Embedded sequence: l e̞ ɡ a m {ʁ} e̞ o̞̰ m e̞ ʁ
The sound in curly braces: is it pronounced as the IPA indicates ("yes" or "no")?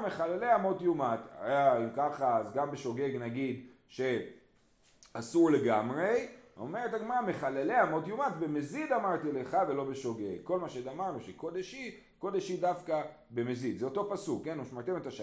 yes